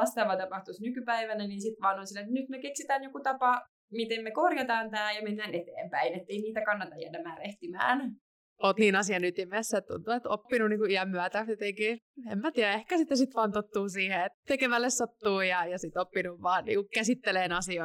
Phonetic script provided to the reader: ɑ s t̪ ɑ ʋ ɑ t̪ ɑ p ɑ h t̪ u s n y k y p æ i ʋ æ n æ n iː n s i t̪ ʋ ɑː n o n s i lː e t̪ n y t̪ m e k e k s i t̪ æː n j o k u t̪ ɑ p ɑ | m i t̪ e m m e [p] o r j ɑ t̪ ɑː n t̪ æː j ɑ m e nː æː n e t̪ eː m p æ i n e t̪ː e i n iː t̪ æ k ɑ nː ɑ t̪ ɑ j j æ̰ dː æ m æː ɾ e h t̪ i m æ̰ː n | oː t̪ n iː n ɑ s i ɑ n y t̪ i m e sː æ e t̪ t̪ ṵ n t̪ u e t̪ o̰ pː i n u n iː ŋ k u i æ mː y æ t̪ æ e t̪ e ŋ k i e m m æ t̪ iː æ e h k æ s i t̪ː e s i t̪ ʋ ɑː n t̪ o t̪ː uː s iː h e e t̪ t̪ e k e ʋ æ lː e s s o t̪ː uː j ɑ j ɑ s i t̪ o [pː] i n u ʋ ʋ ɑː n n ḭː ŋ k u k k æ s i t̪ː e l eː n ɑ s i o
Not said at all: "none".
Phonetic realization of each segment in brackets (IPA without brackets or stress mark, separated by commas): k, pː